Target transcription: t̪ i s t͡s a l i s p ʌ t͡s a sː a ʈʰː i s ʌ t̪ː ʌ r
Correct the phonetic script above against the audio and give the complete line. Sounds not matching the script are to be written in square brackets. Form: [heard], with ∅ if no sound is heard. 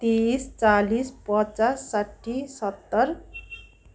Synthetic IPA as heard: t̪ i s t͡s a l i s p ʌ t͡s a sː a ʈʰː i s ʌ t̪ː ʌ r